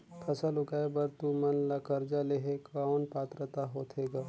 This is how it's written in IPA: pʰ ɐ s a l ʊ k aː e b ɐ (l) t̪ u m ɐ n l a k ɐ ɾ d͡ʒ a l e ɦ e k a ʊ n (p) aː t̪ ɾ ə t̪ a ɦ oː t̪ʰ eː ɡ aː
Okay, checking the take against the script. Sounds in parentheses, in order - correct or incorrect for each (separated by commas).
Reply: incorrect, correct